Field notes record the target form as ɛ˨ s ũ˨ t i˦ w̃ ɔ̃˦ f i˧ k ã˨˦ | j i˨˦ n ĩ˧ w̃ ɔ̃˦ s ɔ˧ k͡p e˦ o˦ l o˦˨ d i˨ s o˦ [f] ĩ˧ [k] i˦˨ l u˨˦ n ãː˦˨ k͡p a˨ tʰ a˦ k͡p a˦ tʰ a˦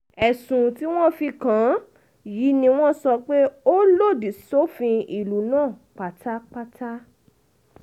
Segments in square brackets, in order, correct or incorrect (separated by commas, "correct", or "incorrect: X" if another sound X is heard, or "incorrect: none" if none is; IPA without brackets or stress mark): correct, incorrect: none